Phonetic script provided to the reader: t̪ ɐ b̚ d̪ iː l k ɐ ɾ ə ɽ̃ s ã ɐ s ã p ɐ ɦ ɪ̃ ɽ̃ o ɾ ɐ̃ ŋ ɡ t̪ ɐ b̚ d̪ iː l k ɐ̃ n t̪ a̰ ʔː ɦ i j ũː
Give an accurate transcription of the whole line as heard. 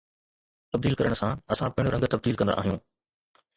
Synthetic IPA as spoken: t̪ ɐ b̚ d̪ iː l k ɐ ɾ ə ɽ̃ s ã ɐ s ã p ɐ ɦ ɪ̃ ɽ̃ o ɾ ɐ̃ ŋ ɡ t̪ ɐ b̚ d̪ iː l k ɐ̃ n d̪ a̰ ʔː ɦ i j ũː

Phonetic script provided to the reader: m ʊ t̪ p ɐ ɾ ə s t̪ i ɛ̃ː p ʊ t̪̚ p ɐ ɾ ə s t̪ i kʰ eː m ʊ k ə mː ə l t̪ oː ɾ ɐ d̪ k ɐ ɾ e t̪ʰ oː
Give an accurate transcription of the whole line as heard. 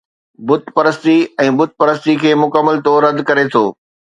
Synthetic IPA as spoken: b ʊ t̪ p ɐ ɾ ə s t̪ i ɛ̃ː b ʊ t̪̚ p ɐ ɾ ə s t̪ i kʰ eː m ʊ k ə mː ə l t̪ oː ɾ ɐ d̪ k ɐ ɾ e t̪ʰ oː

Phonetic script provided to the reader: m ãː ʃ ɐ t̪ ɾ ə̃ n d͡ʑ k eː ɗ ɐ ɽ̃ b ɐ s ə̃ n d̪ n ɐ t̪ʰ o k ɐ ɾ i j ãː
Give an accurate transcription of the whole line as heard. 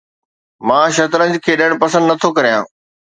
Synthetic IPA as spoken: m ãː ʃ ɐ t̪ ɾ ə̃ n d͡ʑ kʰ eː ɗ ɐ ɽ̃ p ɐ s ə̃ n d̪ n ɐ t̪ʰ o k ɐ ɾ i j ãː

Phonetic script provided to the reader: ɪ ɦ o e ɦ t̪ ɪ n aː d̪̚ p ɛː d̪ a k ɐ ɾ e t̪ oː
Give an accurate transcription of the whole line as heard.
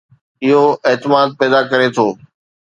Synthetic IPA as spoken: ɪ ɦ o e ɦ t̪ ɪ m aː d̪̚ p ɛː d̪ a k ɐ ɾ e t̪ʰ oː

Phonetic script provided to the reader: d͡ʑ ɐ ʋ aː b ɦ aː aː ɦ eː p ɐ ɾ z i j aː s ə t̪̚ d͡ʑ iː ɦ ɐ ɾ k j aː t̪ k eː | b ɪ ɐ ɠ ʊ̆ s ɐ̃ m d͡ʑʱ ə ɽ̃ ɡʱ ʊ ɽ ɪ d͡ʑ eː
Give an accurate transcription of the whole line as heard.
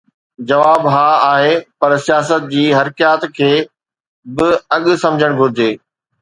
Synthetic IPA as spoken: d͡ʑ ɐ ʋ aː b ɦ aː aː ɦ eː p ɐ ɾ s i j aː s ə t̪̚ d͡ʑ iː ɦ ɐ ɾ k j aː t̪ kʰ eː | b ɪ ɐ ɠ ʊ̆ s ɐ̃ m d͡ʑʱ ə ɽ̃ ɡʱ ʊ ɾ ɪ d͡ʑ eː

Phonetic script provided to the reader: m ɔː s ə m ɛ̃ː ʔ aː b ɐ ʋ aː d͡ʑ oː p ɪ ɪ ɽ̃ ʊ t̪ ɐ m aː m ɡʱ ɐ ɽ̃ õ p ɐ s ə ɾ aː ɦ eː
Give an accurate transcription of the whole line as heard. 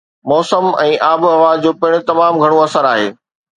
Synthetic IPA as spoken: m ɔː s ə m ɛ̃ː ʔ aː b ɐ ʋ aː d͡ʑ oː p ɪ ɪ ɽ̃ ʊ t̪ ɐ m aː m ɡʱ ɐ ɽ̃ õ ɐ s ə ɾ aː ɦ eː

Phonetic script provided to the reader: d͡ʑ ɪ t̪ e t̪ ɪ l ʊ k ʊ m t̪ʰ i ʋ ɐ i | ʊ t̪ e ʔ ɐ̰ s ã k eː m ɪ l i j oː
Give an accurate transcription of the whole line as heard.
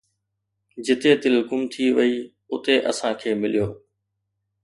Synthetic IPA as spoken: d͡ʑ ɪ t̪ e t̪ ɪ l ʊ k ʊ m t̪ʰ i ʋ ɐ i | ʊ t̪ e ʔ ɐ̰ s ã kʰ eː m ɪ l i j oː

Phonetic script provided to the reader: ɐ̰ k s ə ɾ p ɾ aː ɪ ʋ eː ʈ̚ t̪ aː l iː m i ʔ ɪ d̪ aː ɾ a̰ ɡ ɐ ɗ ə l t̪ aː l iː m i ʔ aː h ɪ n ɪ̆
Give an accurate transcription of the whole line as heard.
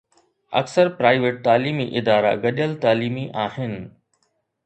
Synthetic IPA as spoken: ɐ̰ k s ə ɾ p ɾ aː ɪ ʋ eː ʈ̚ t̪ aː l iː m i ʔ ɪ d̪ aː ɾ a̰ ɡ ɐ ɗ ə l t̪ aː l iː m i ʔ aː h ɪ n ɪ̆

